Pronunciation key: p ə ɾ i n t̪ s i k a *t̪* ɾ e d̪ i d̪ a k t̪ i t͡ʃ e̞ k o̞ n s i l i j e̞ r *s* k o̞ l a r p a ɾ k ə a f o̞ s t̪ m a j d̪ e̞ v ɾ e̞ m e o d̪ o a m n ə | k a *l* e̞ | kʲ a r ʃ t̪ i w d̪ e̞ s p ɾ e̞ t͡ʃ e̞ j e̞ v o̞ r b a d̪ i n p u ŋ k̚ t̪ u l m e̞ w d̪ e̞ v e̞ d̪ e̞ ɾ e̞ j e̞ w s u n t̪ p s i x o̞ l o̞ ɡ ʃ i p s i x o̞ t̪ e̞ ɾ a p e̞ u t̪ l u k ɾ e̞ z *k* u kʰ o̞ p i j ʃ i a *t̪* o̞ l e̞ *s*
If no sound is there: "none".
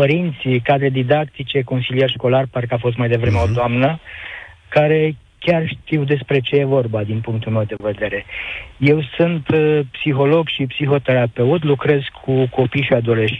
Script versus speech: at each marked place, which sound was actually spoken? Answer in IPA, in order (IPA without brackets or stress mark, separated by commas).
d̪, ʃ, ɾ, kʰ, d̪, ʃ